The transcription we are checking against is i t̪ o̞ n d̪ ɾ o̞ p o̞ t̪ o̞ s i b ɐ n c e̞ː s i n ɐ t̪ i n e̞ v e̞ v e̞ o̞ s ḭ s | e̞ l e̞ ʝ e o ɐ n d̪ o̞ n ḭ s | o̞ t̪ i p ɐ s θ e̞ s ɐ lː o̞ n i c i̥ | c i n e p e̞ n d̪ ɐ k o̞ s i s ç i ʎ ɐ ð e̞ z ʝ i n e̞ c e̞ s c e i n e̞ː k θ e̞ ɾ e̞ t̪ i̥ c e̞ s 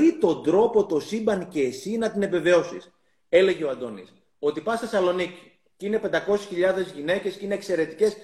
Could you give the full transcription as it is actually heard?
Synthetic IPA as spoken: i t̪ o̞ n d̪ ɾ o̞ p o̞ t̪ o̞ s i b ɐ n c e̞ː s i n ɐ t̪ i n e̞ v e̞ v e̞ o̞ s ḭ s | e̞ l e̞ ʝ e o ɐ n d̪ o̞ n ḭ s | o̞ t̪ i p ɐ s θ e̞ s ɐ l o̞ n i c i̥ | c i n e p e̞ n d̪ ɐ k o̞ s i s ç i ʎ ɐ ð e̞ z ʝ i n e̞ c e̞ s c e i n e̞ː k s e̞ ɾ e̞ t̪ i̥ c e̞ s